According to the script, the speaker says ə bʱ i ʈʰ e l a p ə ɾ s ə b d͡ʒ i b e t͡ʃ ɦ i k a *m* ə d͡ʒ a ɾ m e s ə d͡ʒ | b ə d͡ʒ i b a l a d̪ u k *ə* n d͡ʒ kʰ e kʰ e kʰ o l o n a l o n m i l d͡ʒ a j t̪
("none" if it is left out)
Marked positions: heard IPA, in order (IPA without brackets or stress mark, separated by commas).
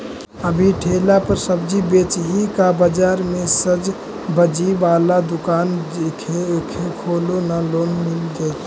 b, a